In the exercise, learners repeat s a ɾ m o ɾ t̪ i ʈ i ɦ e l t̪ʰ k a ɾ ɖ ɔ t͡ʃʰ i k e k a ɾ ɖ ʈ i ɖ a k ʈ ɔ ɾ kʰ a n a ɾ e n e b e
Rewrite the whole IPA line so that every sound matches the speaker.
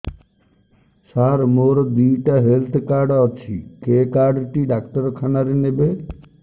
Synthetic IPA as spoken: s a ɾ m o ɾ d̪ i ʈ a ɦ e l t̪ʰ k a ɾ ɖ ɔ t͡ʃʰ i k e k a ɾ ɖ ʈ i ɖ a k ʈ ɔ ɾ kʰ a n a ɾ e n e b e